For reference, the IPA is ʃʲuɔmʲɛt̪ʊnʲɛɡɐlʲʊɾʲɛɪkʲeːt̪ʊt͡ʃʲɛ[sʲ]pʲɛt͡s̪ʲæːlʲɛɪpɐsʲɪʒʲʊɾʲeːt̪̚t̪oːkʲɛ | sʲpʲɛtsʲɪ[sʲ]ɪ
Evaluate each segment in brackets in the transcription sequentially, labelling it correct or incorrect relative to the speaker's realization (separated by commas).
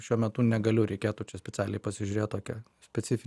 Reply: correct, incorrect